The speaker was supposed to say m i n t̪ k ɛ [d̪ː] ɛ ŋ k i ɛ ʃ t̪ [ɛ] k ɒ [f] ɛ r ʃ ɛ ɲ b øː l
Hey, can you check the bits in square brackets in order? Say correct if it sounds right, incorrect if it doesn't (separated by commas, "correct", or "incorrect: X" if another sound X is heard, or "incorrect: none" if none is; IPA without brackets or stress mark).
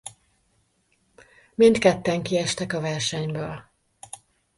incorrect: t̪ː, correct, incorrect: v